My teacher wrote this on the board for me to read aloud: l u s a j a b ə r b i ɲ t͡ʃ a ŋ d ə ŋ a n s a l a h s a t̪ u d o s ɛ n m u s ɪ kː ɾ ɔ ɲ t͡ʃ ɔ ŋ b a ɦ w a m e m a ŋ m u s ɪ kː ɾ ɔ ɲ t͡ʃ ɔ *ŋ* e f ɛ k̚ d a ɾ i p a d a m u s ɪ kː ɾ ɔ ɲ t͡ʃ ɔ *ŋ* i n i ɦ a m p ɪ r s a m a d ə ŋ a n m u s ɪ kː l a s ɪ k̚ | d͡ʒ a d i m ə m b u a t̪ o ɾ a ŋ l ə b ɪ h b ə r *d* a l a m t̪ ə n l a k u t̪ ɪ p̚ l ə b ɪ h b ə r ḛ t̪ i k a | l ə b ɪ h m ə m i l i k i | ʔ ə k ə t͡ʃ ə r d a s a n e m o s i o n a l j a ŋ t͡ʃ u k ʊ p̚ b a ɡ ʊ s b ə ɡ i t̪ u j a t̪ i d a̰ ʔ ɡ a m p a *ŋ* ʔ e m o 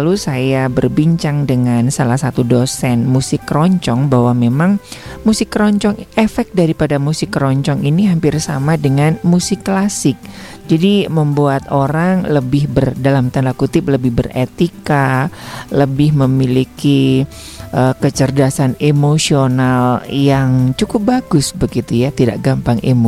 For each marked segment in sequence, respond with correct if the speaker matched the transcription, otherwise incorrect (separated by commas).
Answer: correct, correct, correct, correct